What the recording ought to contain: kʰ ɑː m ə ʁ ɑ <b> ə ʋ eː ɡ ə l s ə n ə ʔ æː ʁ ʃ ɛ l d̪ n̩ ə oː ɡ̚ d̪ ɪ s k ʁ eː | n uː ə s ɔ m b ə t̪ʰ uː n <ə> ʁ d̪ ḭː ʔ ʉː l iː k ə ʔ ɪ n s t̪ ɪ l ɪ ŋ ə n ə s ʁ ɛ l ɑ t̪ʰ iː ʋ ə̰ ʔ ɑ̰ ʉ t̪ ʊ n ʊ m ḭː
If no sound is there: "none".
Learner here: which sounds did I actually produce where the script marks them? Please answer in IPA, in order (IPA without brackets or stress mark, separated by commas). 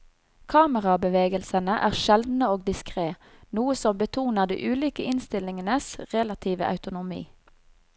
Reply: b, ə